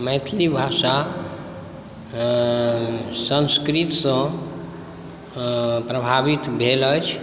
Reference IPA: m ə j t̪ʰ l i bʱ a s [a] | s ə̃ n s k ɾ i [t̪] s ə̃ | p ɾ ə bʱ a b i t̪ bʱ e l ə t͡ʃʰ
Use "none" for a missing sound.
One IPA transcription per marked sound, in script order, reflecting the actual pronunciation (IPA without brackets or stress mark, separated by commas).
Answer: a, t̪